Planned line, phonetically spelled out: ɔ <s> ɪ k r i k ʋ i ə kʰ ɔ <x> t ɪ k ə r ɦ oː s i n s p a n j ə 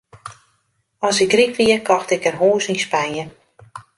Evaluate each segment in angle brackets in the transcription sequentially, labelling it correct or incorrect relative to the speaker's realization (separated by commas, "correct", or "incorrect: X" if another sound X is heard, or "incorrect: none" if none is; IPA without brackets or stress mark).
correct, correct